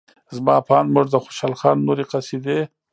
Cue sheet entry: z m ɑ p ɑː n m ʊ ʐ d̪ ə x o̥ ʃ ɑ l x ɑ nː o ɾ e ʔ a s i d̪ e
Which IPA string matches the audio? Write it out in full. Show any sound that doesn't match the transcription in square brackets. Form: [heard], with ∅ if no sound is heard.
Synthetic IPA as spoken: z m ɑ p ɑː n m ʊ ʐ d̪ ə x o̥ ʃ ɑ l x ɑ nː o ɾ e [q] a s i d̪ e